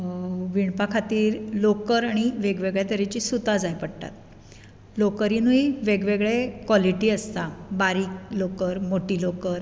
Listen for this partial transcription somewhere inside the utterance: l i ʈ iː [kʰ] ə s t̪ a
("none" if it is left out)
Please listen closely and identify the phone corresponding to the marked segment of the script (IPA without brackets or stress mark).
none